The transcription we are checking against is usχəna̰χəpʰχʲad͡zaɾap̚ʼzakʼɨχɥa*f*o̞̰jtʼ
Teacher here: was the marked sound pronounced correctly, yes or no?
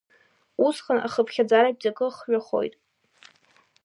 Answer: no